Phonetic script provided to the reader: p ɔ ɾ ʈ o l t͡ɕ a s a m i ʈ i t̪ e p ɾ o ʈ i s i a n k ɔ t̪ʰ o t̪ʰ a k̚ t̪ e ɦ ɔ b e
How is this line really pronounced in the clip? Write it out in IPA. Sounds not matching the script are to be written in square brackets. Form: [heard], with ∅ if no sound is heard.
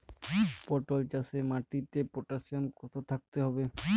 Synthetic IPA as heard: p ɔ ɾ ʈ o l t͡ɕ a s [e] m [a] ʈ i t̪ e p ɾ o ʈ [a] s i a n k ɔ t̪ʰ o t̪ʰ a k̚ t̪ e ɦ ɔ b e